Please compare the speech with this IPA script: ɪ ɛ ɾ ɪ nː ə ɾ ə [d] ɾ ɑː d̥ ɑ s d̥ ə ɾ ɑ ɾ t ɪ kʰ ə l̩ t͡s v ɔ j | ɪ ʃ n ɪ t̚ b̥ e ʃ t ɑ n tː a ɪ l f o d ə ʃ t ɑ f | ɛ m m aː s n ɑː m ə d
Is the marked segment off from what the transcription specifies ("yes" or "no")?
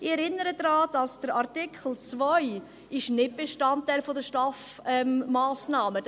no